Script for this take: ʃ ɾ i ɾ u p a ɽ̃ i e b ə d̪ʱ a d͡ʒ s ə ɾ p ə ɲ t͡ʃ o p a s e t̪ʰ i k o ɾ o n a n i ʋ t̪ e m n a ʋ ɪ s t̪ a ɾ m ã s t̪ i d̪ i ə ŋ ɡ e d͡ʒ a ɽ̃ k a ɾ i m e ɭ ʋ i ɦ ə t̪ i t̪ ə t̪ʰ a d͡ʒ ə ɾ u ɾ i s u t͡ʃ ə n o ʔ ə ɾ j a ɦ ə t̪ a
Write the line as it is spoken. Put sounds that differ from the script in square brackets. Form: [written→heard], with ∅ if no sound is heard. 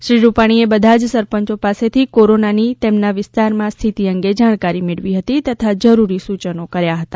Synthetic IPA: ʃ ɾ i ɾ u p a ɽ̃ i e b ə d̪ʱ a d͡ʒ s ə ɾ p ə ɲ t͡ʃ o p a s e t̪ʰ i k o ɾ o n a n i [ʋ→∅] t̪ e m n a ʋ ɪ s t̪ a ɾ m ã s [t̪→t̪ʰ] i [d̪→t̪] i ə ŋ ɡ e d͡ʒ a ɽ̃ k a ɾ i m e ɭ ʋ i ɦ ə t̪ i t̪ ə t̪ʰ a d͡ʒ ə ɾ u ɾ i s u t͡ʃ ə n o [ʔ→k] ə ɾ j a ɦ ə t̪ a